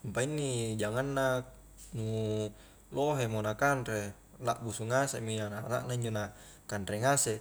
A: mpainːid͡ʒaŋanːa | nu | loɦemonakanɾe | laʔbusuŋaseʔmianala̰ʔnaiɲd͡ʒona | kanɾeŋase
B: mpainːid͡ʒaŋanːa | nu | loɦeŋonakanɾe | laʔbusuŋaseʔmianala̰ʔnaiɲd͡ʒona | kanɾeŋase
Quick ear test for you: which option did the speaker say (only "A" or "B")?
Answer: A